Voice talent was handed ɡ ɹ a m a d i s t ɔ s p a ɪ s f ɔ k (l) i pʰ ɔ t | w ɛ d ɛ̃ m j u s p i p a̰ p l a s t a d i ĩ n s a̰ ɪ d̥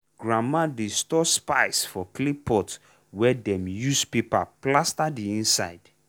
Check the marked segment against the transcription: correct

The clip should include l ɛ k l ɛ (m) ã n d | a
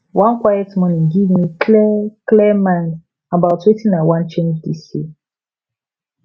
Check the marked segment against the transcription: correct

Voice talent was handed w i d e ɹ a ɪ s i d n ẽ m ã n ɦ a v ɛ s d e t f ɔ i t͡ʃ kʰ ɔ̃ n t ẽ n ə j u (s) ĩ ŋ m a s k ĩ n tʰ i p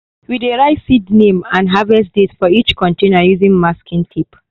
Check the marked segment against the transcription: incorrect: z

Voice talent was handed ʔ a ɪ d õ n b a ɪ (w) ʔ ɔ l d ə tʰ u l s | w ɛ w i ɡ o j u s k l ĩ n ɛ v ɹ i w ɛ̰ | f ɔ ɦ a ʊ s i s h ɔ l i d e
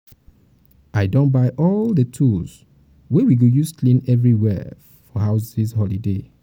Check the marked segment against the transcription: incorrect: none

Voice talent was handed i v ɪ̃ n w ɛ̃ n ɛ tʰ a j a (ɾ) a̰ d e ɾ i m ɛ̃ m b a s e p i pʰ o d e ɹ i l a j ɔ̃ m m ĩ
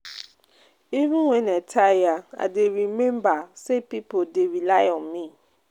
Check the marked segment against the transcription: incorrect: none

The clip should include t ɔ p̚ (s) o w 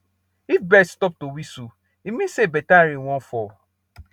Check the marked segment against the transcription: incorrect: t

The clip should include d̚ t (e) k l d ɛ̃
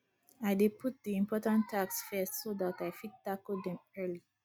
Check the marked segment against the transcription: incorrect: a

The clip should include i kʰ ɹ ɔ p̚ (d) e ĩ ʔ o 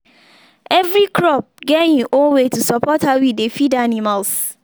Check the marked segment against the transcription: incorrect: ɡ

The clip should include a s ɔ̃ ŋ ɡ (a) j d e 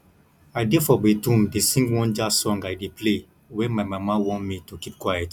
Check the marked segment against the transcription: correct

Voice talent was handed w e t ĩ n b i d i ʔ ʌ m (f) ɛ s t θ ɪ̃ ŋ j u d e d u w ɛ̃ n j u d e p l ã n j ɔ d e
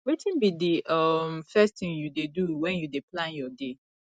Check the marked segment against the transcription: correct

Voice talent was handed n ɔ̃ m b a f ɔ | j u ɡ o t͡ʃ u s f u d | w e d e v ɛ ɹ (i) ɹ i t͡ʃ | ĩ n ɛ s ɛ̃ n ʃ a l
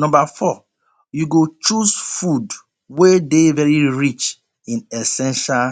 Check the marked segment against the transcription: correct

